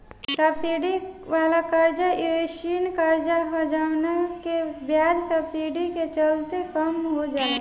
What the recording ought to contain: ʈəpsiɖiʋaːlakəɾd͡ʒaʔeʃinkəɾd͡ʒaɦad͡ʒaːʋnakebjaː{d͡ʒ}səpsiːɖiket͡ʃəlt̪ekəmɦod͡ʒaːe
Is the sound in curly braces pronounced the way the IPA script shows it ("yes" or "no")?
yes